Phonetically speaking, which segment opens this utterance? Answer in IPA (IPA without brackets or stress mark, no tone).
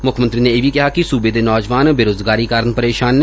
m